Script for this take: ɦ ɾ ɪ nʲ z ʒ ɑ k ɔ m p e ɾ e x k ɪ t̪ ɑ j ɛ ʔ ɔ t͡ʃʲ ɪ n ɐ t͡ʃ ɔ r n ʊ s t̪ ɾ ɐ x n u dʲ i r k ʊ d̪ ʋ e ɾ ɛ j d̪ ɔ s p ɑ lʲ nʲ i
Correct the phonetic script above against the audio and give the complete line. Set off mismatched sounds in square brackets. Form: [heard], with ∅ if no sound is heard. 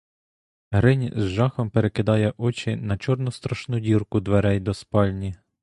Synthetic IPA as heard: ɦ ɾ ɪ nʲ z ʒ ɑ [x] ɔ m p e ɾ e [∅] k ɪ [d̪] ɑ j ɛ ʔ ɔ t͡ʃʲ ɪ n ɐ t͡ʃ ɔ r n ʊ s t̪ ɾ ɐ [ʃ] n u dʲ i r k ʊ d̪ ʋ e ɾ ɛ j d̪ ɔ s p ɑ lʲ nʲ i